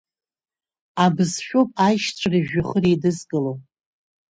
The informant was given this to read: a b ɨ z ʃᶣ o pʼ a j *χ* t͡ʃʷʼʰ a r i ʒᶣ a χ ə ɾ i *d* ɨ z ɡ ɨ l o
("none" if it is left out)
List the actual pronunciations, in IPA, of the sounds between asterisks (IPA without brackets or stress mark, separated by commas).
ʃ, d